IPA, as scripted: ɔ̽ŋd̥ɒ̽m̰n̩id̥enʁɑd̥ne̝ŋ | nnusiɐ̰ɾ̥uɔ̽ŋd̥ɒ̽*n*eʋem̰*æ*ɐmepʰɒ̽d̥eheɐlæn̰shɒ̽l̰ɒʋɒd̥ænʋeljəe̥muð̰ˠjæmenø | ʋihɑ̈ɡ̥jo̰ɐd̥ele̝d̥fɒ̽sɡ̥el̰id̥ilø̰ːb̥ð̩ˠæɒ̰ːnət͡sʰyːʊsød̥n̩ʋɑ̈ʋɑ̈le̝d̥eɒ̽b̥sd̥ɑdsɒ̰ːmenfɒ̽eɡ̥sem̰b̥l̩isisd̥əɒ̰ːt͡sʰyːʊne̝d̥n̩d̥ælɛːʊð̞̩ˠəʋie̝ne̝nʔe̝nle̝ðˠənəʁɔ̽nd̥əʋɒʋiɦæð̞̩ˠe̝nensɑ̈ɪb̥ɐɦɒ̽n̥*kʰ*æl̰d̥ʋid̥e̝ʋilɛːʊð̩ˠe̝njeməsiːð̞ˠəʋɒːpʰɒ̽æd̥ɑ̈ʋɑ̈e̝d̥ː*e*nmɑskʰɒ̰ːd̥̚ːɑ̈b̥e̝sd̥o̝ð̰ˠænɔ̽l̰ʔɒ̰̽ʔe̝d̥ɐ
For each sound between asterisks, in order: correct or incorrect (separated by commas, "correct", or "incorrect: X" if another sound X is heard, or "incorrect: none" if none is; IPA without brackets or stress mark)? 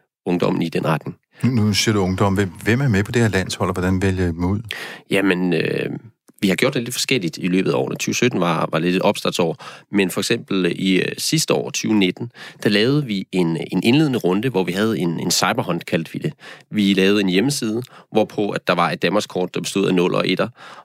incorrect: m, correct, correct, incorrect: æ